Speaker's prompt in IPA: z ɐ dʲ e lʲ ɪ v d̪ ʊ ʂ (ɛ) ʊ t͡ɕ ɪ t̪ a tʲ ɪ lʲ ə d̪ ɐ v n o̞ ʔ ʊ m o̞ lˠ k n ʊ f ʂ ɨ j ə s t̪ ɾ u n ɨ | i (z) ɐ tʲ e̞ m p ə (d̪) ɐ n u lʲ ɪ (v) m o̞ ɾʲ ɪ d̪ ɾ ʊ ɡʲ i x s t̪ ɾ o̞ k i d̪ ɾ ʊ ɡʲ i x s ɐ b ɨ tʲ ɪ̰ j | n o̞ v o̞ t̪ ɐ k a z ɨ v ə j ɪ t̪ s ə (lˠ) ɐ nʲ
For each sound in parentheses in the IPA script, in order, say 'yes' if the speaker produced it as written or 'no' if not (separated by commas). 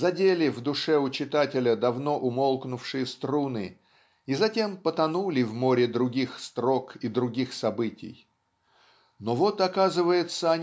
yes, yes, no, yes, no